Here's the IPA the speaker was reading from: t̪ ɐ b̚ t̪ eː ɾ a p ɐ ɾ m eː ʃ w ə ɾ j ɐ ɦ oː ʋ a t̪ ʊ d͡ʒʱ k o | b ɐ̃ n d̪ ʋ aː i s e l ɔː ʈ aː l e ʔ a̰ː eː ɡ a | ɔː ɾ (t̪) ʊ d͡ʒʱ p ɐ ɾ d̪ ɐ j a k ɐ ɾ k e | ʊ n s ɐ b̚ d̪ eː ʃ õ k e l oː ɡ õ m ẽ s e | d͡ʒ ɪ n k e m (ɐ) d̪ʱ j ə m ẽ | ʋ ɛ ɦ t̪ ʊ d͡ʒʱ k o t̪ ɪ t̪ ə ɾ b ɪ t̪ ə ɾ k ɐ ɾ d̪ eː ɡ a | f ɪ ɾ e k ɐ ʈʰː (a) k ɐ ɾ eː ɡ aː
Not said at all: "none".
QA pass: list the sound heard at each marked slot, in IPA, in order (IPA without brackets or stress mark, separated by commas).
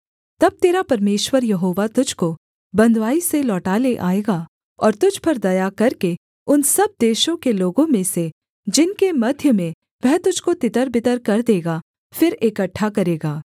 t̪, ɐ, a